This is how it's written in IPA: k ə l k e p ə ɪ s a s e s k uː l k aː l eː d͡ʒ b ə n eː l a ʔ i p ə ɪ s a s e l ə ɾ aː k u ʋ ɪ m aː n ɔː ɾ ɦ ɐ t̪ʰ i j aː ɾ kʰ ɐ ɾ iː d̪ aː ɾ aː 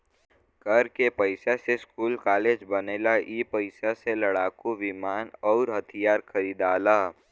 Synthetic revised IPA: k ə ɾ k e p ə ɪ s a s e s k uː l k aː l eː d͡ʒ b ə n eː l a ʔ i p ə ɪ s a s e l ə ɽ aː k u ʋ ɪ m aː n ɔː ɾ ɦ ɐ t̪ʰ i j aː ɾ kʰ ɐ ɾ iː d̪ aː l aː